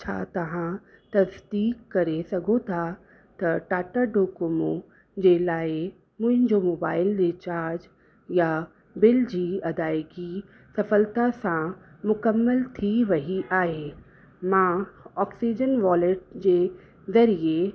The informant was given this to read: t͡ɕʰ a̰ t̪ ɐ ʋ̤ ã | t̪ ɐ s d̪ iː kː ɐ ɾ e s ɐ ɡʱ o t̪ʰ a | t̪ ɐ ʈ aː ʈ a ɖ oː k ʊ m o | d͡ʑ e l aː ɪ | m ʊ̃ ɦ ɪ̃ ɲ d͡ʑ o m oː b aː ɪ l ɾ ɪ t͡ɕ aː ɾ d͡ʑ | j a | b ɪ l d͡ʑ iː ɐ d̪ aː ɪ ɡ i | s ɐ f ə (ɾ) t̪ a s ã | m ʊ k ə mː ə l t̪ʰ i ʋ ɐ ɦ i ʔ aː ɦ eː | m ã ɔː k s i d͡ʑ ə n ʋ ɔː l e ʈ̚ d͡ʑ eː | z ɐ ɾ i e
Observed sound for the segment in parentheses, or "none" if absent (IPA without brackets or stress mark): l